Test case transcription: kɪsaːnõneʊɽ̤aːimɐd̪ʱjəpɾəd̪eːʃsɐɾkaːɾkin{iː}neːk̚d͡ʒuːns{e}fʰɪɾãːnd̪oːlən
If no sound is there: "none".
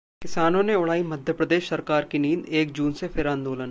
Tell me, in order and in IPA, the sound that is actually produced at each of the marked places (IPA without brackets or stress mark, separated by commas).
iː, e